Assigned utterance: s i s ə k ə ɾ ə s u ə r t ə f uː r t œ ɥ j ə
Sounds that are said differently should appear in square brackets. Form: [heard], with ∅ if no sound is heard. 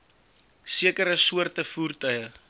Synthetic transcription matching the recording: s i [∅] ə k ə ɾ ə s u ə r t ə f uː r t œ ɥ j ə